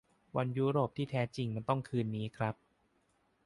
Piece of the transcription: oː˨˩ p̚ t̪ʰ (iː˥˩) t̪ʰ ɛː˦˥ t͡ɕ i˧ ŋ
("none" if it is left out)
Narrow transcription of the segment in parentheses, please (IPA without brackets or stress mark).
iː˥˩